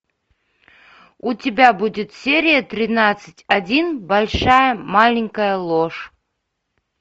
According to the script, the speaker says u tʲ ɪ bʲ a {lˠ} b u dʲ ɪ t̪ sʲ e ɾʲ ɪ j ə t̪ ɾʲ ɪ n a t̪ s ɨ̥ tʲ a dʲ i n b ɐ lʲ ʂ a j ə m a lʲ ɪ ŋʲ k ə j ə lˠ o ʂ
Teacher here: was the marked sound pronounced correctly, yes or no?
no